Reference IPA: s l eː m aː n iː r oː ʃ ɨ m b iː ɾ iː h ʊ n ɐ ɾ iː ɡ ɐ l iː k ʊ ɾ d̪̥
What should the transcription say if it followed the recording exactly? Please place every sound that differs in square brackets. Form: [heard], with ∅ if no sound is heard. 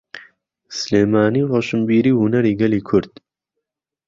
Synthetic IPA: s l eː m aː n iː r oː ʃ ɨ m b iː ɾ iː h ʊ n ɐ ɾ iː ɡ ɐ l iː [kʰ] ʊ ɾ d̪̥